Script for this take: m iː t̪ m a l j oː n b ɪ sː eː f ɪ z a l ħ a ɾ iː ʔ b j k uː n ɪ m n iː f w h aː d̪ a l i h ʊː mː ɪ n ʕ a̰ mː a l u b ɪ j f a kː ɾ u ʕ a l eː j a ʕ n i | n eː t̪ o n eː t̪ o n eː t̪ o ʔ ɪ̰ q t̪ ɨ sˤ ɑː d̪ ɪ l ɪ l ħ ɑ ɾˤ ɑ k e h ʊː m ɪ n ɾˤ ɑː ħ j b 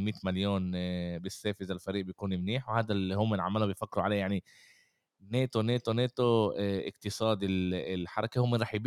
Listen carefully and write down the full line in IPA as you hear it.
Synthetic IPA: m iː t̪ m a l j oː n b ɪ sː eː f ɪ z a l f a ɾ iː ʔ b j k uː n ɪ m n iː ħ w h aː d̪ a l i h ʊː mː ɪ n ʕ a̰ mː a l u b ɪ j f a kː ɾ u ʕ a l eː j a ʕ n i | n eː t̪ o n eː t̪ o n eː t̪ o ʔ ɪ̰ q t̪ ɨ sˤ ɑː d̪ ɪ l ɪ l ħ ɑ ɾˤ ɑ k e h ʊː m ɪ n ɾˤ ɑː ħ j b